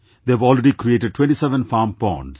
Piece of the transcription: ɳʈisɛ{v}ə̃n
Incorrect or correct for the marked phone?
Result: incorrect: ʋ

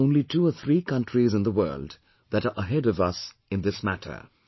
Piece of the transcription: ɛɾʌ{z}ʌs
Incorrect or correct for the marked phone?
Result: incorrect: v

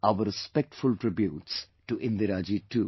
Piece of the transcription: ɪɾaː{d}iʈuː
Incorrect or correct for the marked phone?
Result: incorrect: d͡ʒ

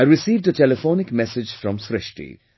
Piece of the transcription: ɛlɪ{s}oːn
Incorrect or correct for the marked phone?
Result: incorrect: f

